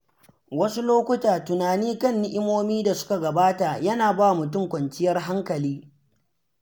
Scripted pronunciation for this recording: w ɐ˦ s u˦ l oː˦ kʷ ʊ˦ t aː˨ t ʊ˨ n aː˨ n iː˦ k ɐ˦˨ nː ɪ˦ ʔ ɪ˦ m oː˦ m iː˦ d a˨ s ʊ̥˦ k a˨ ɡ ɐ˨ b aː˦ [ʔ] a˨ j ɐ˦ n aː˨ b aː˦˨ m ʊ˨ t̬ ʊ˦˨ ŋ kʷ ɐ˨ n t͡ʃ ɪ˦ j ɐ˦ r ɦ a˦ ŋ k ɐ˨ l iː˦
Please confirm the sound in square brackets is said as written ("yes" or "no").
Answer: no